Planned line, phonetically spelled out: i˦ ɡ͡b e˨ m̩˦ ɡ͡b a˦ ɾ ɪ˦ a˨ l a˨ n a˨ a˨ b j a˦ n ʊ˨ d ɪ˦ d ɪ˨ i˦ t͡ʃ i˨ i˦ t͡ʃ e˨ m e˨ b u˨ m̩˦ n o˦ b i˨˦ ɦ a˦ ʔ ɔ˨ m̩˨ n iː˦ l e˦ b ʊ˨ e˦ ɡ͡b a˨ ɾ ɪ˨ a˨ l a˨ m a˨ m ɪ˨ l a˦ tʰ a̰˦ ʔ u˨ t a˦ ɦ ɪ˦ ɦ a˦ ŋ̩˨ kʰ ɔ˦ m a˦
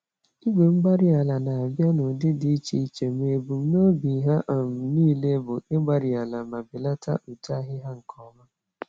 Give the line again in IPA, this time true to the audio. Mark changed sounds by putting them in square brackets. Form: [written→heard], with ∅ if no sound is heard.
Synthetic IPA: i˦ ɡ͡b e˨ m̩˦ ɡ͡b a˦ ɾ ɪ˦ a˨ l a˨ n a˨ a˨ b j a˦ n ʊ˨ d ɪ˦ d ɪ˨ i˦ t͡ʃ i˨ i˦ t͡ʃ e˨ m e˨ b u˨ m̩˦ n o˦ b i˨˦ ɦ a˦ ʔ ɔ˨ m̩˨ n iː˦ l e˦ b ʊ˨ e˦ ɡ͡b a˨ ɾ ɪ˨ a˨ l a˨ m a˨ [m→b] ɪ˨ l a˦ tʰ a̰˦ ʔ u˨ t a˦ ɦ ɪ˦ ɦ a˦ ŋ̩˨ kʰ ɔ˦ m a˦